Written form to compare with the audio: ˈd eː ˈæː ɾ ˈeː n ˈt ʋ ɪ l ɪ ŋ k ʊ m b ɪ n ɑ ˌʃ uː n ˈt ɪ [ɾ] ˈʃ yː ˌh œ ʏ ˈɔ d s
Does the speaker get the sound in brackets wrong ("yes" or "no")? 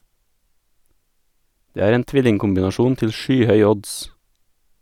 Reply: yes